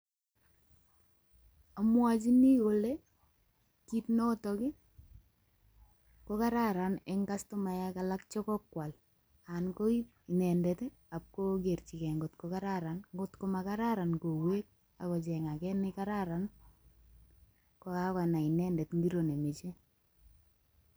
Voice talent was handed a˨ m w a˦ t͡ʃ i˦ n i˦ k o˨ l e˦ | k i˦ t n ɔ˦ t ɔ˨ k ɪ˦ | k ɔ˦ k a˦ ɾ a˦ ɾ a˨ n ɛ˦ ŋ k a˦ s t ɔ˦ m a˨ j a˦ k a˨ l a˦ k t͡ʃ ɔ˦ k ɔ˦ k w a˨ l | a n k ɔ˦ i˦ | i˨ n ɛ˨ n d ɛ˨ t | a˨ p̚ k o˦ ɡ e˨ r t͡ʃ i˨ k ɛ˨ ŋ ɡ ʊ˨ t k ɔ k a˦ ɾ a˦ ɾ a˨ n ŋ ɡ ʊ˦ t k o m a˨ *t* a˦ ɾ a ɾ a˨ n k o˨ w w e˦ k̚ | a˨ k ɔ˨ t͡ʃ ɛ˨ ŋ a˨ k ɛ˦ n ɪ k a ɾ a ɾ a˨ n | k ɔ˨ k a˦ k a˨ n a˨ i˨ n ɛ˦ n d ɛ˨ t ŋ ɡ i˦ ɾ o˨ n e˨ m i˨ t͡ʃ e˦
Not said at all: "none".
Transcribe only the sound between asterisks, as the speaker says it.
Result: k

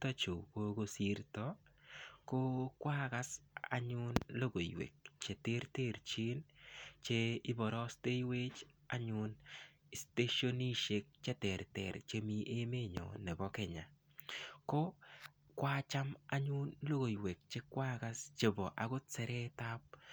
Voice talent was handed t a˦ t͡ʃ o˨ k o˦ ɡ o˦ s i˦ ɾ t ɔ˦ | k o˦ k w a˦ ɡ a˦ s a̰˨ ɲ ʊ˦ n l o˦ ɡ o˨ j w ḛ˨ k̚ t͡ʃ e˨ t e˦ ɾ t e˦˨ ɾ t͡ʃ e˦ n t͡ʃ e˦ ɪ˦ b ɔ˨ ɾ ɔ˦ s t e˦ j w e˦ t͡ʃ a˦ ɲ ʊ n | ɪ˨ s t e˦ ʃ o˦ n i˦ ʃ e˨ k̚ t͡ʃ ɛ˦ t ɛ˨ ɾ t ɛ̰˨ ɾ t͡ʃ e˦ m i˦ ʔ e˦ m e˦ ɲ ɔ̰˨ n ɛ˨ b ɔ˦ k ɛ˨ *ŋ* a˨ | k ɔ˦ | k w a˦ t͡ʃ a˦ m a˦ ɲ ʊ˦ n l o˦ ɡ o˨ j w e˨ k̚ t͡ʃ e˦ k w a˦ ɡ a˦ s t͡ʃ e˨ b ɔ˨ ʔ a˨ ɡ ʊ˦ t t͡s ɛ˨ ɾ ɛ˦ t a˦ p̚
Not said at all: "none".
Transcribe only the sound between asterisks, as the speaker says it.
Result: ɲ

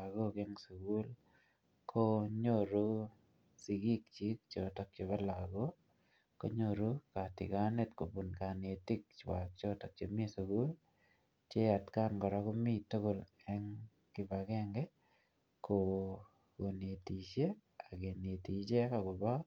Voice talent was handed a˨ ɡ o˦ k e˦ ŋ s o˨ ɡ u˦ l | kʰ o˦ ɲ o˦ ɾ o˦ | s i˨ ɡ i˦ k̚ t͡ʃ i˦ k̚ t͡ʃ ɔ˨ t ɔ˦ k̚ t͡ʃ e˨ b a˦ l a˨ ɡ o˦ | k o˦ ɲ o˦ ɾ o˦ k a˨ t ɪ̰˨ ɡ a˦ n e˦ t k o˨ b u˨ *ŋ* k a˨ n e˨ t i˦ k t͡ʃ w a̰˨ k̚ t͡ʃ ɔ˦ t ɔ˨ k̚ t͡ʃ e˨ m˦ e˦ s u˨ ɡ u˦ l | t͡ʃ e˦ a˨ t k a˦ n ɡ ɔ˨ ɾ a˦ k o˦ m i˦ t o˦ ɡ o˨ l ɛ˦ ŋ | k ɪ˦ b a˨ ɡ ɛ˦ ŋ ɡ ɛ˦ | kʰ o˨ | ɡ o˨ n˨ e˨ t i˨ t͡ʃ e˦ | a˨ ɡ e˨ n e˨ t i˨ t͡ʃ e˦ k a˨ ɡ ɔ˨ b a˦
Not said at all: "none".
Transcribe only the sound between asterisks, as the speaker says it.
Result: n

